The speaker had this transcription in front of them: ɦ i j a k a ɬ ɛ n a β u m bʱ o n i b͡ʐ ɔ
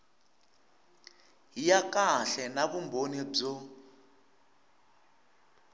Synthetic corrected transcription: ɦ i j a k a ɬ ɛ n a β u m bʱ o n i b͡ʐ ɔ